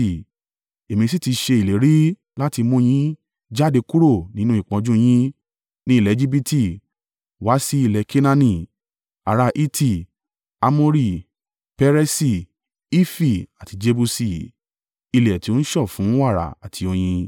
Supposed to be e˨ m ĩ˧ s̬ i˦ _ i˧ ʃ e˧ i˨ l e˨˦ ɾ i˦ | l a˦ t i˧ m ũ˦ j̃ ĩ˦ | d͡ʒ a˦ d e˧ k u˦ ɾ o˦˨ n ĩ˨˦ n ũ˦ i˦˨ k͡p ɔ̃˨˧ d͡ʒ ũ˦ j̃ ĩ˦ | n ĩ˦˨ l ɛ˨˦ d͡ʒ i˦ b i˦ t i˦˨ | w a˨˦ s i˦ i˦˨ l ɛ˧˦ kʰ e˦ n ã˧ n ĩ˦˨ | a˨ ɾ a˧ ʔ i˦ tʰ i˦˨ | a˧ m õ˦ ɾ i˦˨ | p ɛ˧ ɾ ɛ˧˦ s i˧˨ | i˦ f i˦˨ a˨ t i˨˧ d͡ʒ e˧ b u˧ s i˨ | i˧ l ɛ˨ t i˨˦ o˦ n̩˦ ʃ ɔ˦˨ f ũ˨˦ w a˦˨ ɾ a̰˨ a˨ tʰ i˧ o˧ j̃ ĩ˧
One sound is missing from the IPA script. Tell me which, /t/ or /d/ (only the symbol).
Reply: t